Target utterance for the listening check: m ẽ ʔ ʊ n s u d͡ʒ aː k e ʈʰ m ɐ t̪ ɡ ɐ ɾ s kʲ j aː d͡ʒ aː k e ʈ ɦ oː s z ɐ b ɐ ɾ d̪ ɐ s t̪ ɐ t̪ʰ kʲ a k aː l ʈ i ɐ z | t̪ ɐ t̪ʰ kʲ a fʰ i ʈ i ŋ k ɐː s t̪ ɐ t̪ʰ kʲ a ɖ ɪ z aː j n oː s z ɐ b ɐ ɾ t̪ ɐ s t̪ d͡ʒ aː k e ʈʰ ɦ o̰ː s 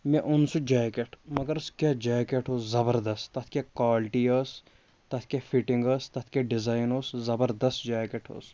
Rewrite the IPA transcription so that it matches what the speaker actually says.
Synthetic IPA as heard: m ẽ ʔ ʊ n s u d͡ʒ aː k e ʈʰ m ɐ ɡ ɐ ɾ s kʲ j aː d͡ʒ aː k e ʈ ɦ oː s z ɐ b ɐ ɾ d̪ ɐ s t̪ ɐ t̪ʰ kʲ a k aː l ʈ i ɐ s | t̪ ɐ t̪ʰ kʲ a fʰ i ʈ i ŋ ɡ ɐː s t̪ ɐ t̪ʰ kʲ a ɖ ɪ z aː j n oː s z ɐ b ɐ ɾ d̪ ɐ s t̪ d͡ʒ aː k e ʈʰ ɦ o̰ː s